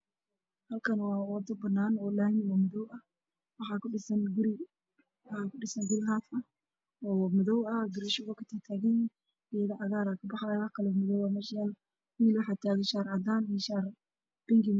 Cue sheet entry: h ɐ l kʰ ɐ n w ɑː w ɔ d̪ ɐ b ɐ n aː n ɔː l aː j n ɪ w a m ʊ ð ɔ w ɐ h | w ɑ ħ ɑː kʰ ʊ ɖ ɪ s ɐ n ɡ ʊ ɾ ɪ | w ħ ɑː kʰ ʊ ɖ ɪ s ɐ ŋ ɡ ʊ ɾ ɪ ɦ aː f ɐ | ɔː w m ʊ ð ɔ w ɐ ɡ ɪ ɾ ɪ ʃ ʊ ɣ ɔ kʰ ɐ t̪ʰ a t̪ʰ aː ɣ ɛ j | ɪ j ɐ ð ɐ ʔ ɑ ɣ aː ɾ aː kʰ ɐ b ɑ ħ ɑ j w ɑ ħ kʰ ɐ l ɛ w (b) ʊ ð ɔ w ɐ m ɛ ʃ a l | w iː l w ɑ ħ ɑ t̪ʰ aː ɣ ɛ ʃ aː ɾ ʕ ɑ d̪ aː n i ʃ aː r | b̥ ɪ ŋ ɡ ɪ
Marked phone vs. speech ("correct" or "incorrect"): incorrect